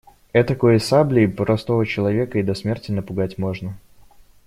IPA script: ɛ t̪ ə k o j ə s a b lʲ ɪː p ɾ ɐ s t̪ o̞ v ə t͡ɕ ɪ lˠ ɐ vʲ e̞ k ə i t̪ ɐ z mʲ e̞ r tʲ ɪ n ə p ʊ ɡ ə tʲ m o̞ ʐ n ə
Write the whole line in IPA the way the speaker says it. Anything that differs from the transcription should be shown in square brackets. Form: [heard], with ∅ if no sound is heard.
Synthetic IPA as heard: ɛ t̪ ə k o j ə s a b lʲ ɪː p ɾ ɐ s t̪ o̞ v ə t͡ɕ ɪ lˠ ɐ vʲ e̞ k ə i [d̪] ɐ [s] mʲ e̞ r tʲ ɪ n ə p ʊ ɡ [a] tʲ m o̞ ʐ n ə